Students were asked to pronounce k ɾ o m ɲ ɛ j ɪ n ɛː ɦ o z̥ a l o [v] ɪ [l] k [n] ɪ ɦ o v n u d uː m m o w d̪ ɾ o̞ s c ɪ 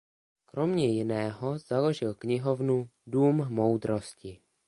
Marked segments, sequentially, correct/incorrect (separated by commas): incorrect, correct, incorrect